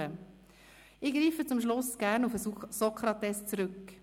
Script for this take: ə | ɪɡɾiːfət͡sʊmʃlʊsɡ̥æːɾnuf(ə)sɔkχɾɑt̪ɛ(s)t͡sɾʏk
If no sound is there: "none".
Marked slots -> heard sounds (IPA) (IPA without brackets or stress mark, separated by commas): ə, s